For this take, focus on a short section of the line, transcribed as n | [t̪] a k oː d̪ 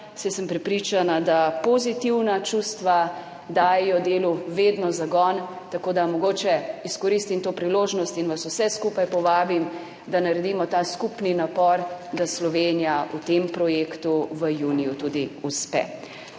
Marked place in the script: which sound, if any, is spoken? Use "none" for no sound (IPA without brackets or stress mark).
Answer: t̪